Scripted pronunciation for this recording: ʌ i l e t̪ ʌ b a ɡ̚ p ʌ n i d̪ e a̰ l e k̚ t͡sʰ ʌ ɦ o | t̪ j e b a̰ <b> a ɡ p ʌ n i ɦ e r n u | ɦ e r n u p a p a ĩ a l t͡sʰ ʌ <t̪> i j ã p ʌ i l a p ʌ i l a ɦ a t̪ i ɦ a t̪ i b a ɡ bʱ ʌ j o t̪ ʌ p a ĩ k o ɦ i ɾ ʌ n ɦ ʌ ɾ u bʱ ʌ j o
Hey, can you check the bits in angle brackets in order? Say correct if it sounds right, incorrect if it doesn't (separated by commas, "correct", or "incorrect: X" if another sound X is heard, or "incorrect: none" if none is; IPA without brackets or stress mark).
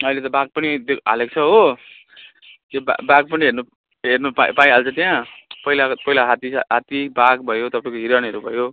correct, correct